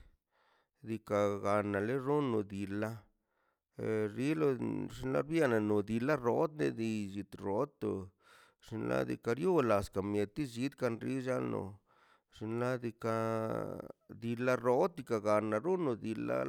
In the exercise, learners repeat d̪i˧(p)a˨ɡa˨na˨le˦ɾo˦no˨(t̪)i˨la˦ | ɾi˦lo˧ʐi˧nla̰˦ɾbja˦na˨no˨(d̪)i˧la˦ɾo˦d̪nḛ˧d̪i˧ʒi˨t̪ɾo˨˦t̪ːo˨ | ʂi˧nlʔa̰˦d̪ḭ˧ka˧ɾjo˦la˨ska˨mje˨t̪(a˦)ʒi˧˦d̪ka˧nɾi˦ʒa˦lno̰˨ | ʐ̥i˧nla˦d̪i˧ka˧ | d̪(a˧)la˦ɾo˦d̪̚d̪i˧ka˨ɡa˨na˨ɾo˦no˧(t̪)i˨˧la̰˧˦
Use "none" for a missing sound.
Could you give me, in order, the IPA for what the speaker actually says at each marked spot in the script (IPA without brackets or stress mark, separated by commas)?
k, d̪, d̪, i˦, i˧, d̪